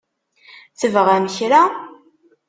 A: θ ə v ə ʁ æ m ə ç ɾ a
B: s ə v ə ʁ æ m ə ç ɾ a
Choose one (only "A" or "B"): A